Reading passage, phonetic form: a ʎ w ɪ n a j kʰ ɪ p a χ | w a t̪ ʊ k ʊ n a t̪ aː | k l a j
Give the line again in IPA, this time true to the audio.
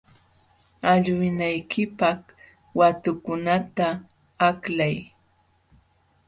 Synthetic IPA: a ʎ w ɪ n a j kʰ ɪ p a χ | w a t̪ ʊ k ʊ n a t̪ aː | k l a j